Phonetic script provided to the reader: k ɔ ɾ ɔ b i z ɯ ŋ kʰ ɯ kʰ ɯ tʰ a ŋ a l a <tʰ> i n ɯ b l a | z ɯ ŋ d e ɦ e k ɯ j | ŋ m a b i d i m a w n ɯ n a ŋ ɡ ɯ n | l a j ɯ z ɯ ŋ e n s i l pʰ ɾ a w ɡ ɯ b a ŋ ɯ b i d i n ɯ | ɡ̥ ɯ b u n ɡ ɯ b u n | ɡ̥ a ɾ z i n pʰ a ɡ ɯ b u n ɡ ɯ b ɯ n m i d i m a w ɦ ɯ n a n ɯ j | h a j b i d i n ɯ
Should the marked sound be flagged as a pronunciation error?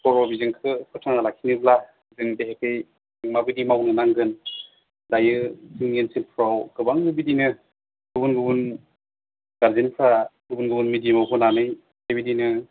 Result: yes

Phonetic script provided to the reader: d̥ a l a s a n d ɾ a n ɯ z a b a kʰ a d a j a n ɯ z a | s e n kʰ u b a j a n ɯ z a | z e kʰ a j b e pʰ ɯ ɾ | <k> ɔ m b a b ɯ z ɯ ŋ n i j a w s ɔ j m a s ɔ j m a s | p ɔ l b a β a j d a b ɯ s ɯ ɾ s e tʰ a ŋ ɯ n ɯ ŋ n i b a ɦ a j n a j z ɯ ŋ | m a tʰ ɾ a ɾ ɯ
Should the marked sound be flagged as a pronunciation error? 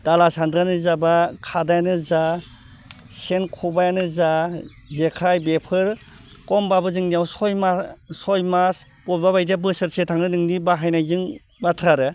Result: no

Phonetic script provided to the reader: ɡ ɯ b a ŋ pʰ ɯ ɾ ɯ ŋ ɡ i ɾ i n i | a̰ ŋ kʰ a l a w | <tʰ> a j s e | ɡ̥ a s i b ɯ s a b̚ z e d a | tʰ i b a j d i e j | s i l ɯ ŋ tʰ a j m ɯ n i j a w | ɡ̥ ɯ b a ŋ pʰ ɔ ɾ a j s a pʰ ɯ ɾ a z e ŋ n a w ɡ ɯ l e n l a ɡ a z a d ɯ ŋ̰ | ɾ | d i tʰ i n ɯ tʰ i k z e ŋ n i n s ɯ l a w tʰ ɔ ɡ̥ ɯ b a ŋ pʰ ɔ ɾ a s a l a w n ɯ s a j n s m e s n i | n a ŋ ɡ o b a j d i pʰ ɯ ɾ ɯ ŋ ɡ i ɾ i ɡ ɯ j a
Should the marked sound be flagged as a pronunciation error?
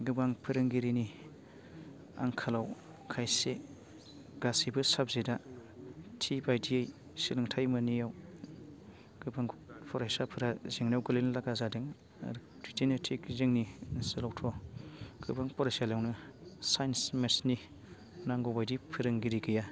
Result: yes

